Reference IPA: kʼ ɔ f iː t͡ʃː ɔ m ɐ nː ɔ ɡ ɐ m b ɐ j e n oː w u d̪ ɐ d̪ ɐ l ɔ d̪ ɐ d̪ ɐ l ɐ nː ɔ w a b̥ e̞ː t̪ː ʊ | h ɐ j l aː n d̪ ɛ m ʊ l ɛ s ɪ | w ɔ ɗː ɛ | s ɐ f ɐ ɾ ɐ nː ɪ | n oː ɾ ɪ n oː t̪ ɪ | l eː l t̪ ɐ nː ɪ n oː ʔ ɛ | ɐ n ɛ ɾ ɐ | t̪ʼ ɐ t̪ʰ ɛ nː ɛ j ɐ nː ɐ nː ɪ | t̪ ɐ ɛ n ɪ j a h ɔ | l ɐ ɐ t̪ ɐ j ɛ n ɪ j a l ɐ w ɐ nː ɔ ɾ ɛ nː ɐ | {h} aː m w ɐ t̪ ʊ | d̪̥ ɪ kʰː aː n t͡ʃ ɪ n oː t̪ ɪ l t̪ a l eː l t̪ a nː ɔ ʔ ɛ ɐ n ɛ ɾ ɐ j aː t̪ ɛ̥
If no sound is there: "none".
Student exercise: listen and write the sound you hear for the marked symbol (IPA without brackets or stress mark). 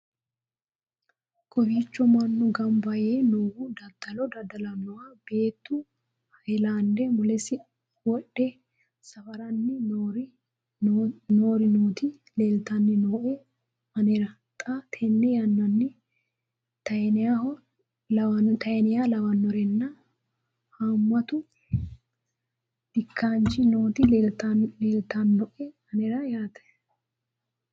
h